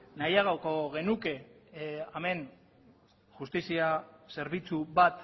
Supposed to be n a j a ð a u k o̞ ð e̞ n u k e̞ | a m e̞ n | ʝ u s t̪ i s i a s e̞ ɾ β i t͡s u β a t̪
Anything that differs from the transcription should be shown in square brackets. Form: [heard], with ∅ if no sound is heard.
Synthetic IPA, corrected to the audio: n a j a [ɣ] a [w] k o̞ [ɣ] e̞ n u k e̞ | a m e̞ n | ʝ u s t̪ i s i a s e̞ ɾ β i t͡s u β a t̪